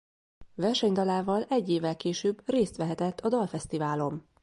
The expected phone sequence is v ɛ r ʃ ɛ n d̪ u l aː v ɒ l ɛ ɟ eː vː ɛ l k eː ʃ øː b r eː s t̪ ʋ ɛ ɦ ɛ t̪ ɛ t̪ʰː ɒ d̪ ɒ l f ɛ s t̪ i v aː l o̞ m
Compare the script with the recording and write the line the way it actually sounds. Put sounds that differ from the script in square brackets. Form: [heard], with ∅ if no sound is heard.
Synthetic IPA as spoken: v ɛ r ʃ ɛ [ɲ] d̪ [ɒ] l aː v ɒ l ɛ [ɟː] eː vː ɛ l k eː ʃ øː b r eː s t̪ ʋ ɛ ɦ ɛ t̪ ɛ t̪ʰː ɒ d̪ ɒ l f ɛ s t̪ i v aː l o̞ m